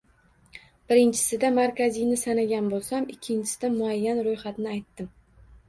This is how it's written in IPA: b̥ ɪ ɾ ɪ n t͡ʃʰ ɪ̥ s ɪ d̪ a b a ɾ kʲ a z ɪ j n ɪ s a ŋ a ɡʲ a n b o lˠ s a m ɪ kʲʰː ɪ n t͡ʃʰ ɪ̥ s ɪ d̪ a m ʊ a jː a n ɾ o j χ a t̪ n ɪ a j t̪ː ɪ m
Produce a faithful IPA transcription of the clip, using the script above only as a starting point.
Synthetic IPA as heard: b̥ ɪ ɾ ɪ n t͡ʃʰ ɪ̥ s ɪ d̪ a m a ɾ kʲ a z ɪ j n ɪ s a n a ɡʲ a n b o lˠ s a m ɪ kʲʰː ɪ n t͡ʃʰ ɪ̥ s ɪ d̪ a m ʊ a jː a n ɾ o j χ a t̪ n ɪ a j t̪ː ɪ m